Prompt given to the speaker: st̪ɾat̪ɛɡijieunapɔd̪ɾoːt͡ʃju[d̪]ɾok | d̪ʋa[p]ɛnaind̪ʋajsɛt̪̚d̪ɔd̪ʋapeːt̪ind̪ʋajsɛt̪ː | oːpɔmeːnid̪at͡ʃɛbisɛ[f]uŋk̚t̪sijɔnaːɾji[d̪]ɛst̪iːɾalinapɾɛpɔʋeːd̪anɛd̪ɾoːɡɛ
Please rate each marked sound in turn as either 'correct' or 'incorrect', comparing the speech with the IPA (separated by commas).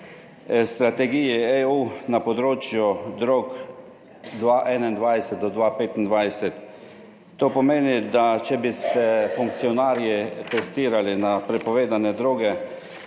correct, incorrect, correct, incorrect